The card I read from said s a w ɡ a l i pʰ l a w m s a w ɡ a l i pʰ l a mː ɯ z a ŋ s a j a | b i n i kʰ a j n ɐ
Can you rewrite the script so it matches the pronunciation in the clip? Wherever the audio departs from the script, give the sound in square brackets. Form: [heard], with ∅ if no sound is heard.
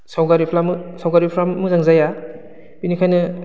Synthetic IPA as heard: s a w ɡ a [ɾ] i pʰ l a [∅] m s a w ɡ a [ɾ] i pʰ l a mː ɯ z a ŋ [z] a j a | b i n i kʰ a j n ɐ